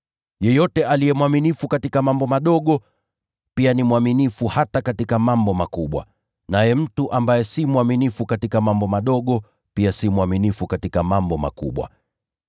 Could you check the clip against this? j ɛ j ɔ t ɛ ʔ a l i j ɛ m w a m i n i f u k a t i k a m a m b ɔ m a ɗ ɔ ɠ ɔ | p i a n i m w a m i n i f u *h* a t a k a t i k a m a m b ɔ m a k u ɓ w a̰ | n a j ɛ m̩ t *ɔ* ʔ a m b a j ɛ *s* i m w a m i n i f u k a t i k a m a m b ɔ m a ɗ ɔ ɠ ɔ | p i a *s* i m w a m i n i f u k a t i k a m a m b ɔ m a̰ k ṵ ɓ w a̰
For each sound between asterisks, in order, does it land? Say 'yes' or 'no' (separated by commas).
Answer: yes, no, yes, yes